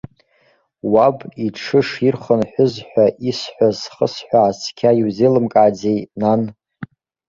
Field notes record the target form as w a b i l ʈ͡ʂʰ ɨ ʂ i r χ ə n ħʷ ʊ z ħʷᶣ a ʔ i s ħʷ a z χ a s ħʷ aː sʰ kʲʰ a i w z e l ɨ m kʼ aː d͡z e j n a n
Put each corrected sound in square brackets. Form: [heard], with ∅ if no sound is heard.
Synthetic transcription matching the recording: w a b i [∅] ʈ͡ʂʰ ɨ ʂ i r χ ə n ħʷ ʊ z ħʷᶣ a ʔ i s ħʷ a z χ [ə] s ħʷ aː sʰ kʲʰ a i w z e l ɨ m kʼ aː d͡z e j n a n